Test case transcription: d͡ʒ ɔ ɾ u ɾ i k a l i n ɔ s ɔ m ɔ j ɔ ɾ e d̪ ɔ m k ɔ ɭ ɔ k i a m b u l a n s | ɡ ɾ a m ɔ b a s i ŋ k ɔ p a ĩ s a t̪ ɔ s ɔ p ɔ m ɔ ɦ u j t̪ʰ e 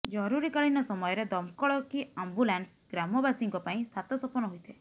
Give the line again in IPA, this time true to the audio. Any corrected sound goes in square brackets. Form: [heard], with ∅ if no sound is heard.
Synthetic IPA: d͡ʒ ɔ ɾ u ɾ i k a [ɭ] i n ɔ s ɔ m ɔ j ɔ ɾ e d̪ ɔ m k ɔ ɭ ɔ k i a m b u l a n s | ɡ ɾ a m ɔ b a s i ŋ k ɔ p a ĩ s a t̪ ɔ s ɔ p ɔ [n] ɔ ɦ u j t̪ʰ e